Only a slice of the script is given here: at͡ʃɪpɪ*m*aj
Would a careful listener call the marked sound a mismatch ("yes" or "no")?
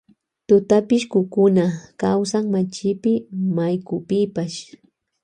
no